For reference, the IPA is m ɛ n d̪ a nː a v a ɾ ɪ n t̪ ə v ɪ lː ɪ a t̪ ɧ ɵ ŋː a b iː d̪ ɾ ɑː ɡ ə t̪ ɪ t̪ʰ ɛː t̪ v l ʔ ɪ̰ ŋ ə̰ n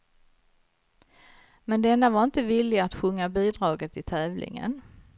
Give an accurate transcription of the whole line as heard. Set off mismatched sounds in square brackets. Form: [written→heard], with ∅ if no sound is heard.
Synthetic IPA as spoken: m ɛ n d̪ [a→ɛ] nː a v a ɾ ɪ n t̪ ə v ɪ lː ɪ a t̪ ɧ ɵ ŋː a b iː d̪ ɾ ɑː ɡ ə t̪ ɪ t̪ʰ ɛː [t̪→∅] v l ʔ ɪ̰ ŋ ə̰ n

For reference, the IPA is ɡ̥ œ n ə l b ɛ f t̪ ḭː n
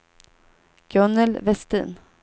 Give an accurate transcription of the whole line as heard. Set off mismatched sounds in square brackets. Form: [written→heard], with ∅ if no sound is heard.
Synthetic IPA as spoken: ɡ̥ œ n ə l [b→v] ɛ [f→s] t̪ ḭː n

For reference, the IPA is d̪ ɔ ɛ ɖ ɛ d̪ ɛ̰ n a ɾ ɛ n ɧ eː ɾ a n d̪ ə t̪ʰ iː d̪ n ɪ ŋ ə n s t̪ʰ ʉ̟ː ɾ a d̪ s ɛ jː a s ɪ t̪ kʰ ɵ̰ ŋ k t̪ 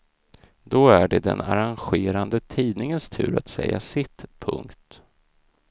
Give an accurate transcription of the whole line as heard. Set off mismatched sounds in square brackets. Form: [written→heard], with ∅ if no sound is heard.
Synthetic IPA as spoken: d̪ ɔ [ɛ→æ] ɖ ɛ d̪ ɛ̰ n a ɾ [ɛ→a] n ɧ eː ɾ a n d̪ ə t̪ʰ iː d̪ n ɪ ŋ ə n s t̪ʰ ʉ̟ː ɾ a [d̪→t̪] s ɛ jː a s ɪ t̪ [kʰ→pʰ] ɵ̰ ŋ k t̪

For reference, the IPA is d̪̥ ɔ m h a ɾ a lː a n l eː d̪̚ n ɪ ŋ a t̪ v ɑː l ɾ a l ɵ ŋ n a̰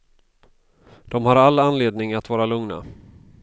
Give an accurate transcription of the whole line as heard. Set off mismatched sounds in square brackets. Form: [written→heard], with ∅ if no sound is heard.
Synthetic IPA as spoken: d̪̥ ɔ m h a ɾ a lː a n l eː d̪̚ n ɪ ŋ a t̪ v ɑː [l→∅] ɾ a l ɵ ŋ n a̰

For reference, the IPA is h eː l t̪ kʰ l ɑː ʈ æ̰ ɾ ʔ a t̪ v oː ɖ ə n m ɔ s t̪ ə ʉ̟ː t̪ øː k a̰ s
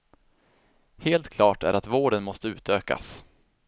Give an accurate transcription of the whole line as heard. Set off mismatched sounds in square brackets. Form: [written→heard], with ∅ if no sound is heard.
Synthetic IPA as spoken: h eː l t̪ kʰ l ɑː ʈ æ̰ ɾ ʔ a t̪ v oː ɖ ə n m ɔ s t̪ ə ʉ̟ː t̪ øː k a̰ s

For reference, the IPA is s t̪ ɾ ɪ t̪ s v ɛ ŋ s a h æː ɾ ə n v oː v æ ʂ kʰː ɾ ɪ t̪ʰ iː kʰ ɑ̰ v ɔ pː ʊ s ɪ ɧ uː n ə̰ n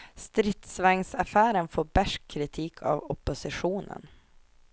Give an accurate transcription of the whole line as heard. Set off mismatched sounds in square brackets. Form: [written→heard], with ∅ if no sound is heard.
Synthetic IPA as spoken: s t̪ ɾ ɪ t̪ s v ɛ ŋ s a [h→f] æː ɾ ə n [v→f] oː [v→b] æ ʂ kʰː ɾ ɪ t̪ʰ iː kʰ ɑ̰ v ɔ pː ʊ s ɪ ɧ uː n ə̰ n

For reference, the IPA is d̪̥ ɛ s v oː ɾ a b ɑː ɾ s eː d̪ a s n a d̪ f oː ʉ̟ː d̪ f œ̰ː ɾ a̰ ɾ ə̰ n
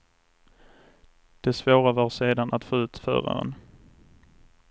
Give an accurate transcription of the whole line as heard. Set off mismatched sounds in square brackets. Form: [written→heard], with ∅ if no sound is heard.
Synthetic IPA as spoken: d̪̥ ɛ s v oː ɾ a [b→v] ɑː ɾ s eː d̪ a [s→∅] n a [d̪→t̪] f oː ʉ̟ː [d̪→t̪] f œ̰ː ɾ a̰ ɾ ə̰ n

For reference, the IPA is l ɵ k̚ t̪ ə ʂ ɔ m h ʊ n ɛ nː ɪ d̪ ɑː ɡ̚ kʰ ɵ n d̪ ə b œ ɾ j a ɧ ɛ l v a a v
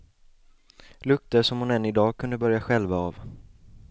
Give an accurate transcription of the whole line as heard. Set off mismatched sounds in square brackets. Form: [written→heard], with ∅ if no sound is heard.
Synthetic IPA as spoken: l ɵ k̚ t̪ ə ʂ ɔ m h ʊ n ɛ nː ɪ d̪ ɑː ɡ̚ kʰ ɵ n d̪ ə b œ ɾ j a ɧ ɛ l v a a v

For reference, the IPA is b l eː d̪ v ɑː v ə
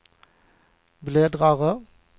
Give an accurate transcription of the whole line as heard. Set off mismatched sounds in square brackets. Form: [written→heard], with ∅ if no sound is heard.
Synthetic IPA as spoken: b l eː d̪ [v→ʁ] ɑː [v→ʁ] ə

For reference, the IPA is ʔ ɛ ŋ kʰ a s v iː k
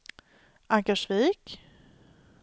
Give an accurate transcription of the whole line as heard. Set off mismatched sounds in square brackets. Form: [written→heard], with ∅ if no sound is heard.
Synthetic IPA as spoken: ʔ [ɛ→a] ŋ [kʰ→k] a [s→ʂ] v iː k

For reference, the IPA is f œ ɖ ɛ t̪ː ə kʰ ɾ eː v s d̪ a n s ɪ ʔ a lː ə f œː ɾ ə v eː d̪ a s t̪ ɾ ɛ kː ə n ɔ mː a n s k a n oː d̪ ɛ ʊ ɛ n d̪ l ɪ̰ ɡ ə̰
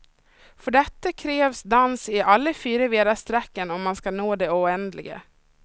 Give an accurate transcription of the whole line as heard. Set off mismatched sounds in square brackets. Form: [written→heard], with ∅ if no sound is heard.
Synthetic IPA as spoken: f œ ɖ ɛ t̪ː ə kʰ ɾ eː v s d̪ a n s ɪ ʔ a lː ə f [œː→yː] ɾ ə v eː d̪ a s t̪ ɾ ɛ kː ə n ɔ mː a n s k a n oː d̪ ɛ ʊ ɛ n d̪ l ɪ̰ ɡ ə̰

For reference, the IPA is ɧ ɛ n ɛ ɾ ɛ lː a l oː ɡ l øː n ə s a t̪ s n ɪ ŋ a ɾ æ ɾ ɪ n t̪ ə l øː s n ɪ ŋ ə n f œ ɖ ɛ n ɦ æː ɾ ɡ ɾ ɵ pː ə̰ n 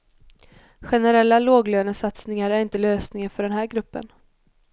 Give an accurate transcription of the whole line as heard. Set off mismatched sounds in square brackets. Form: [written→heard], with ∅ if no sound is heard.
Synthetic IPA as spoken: ɧ ɛ n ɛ ɾ ɛ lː a l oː ɡ l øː n ə s a t̪ s n ɪ ŋ a ɾ æ ɾ ɪ n t̪ ə l øː s n ɪ ŋ ə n f œ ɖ ɛ n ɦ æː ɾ ɡ ɾ ɵ pː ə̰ n

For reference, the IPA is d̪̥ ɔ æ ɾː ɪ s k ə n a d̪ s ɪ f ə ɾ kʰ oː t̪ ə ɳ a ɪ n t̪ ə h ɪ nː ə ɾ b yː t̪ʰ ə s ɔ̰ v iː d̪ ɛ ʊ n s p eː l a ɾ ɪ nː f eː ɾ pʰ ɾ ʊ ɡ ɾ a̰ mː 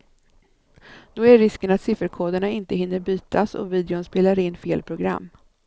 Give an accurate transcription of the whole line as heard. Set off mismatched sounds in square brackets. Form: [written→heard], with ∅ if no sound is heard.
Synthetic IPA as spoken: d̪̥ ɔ æ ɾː ɪ s k ə n a [d̪→t̪] s ɪ f ə ɾ kʰ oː [t̪→d̪] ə ɳ a ɪ n t̪ ə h ɪ nː ə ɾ b yː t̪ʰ [ə→a] s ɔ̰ v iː d̪ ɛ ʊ n s p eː l a ɾ ɪ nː f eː [ɾ→l] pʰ ɾ ʊ ɡ ɾ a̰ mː

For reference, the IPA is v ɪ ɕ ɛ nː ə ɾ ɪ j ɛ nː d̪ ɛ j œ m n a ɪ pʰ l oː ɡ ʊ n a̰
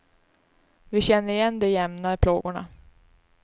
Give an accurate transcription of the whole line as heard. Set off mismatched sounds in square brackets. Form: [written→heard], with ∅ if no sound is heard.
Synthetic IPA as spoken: v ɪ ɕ ɛ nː ə ɾ ɪ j ɛ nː d̪ ɛ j [œ→ɛ] m n a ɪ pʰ l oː ɡ ʊ [n→ɳ] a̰

